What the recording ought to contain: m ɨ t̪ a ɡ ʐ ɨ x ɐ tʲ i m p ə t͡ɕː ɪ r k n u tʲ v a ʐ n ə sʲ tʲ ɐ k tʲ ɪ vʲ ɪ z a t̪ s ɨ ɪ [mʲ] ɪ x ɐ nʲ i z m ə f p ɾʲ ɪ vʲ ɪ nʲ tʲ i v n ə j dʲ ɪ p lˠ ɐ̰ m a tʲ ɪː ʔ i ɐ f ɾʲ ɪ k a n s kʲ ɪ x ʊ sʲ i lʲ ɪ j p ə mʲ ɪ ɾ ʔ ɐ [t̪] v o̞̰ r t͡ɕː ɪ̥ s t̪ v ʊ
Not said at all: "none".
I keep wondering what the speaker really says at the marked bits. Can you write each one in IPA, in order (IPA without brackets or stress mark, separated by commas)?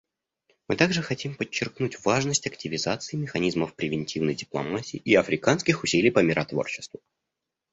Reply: mʲ, t̪